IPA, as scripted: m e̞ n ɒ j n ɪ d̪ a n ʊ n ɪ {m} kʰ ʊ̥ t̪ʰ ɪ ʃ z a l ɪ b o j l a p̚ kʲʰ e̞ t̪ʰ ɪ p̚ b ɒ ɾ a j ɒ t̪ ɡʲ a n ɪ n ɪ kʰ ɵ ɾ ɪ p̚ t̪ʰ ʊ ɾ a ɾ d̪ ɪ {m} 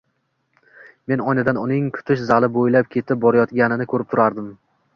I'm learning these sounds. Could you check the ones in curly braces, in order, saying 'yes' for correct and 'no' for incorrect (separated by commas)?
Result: no, yes